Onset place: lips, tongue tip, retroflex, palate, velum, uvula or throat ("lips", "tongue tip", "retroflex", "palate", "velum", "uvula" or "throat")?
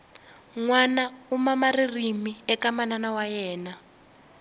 velum